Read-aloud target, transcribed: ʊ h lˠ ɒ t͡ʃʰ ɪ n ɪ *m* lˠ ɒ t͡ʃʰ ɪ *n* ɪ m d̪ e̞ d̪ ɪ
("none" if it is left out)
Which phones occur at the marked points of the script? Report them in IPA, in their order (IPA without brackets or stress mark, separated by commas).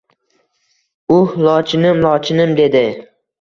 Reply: m, n